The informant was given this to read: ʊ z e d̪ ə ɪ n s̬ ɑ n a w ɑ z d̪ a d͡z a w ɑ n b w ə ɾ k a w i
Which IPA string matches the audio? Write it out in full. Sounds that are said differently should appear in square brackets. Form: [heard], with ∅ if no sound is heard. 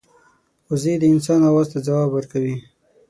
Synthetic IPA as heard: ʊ z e d̪ ə ɪ n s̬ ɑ n a w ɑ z [t̪] a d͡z a w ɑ [∅] b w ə ɾ k a w i